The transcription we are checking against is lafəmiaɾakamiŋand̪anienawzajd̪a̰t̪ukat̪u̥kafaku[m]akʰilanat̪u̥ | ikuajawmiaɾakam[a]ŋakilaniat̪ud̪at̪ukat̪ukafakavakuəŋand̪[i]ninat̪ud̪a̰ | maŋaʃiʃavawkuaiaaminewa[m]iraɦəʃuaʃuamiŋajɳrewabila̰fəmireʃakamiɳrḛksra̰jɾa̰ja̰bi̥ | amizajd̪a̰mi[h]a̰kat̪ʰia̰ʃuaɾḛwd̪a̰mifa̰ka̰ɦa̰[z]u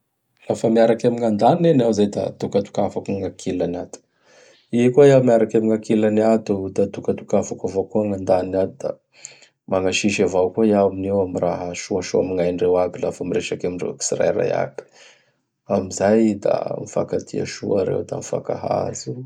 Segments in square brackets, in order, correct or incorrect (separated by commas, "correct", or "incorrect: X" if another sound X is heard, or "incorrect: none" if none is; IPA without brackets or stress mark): incorrect: ŋ, incorrect: i, incorrect: a, correct, incorrect: f, correct